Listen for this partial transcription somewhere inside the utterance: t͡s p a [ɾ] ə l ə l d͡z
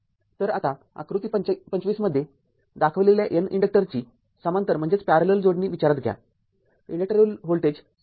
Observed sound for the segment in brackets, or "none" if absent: ɾ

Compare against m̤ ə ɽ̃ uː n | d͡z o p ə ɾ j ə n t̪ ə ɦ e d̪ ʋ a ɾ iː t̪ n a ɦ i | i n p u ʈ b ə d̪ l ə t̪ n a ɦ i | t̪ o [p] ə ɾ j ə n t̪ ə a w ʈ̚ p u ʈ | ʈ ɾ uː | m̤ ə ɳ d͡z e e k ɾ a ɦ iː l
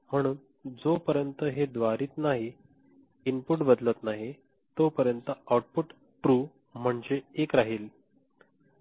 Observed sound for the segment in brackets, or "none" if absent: p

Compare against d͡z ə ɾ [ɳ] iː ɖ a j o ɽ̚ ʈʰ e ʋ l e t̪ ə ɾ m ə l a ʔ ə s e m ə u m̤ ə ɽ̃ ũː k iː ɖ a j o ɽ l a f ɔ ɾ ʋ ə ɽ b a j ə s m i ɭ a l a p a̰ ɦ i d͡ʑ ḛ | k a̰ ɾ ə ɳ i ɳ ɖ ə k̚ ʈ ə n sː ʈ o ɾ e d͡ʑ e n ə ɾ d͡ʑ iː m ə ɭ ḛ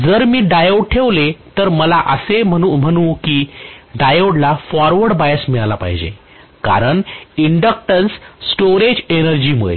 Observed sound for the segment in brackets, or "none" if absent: m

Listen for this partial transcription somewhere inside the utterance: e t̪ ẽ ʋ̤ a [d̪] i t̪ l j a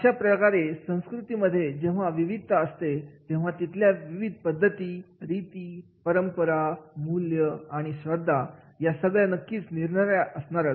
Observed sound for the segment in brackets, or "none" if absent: t̪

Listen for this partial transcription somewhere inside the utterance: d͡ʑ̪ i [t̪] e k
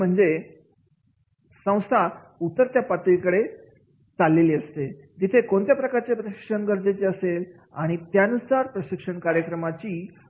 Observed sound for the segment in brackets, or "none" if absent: t̪ʰ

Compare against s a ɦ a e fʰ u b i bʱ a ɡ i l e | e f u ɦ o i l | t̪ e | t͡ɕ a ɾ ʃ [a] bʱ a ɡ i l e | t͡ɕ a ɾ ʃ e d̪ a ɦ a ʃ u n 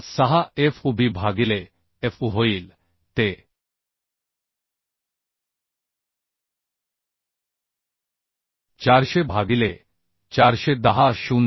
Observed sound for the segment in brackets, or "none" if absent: e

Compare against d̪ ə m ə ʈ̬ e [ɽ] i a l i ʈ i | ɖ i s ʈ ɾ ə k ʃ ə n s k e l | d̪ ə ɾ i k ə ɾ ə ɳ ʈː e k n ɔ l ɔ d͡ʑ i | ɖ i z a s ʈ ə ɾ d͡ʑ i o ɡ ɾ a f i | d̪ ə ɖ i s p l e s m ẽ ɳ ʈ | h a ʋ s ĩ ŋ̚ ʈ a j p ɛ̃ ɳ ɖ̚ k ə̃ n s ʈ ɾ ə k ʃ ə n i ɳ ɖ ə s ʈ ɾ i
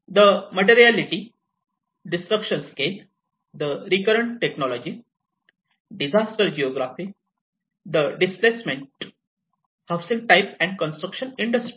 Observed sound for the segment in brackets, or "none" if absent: ɾ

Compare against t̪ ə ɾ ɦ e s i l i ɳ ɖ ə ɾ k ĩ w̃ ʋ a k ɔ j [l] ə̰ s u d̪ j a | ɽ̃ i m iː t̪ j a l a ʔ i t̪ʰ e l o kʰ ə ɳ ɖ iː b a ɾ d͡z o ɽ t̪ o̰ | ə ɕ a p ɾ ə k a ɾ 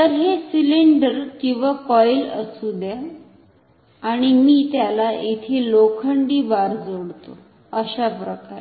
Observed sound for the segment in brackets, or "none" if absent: l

